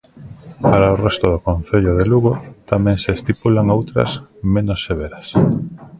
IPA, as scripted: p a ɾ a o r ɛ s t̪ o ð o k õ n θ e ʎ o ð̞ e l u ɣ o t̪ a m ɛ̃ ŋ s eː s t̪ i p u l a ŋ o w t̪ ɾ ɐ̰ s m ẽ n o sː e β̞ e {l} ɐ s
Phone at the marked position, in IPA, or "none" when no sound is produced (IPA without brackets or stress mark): ɾ